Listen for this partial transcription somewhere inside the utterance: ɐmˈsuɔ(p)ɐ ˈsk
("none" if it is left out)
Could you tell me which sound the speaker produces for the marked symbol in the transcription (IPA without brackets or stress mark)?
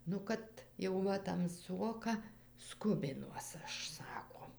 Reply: k